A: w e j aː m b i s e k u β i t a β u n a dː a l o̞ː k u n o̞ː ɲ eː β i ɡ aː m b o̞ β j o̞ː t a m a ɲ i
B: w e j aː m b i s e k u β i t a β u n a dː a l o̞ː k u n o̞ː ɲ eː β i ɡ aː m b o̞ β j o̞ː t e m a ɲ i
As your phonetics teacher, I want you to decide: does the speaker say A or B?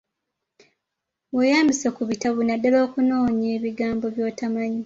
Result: A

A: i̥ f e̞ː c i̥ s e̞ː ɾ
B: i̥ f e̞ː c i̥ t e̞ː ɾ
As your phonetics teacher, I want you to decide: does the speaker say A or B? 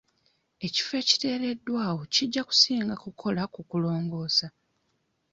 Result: B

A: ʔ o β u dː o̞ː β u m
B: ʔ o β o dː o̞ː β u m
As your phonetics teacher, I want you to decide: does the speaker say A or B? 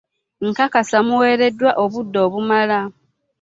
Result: A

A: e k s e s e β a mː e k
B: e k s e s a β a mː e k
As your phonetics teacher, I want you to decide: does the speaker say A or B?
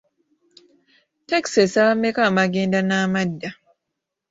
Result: B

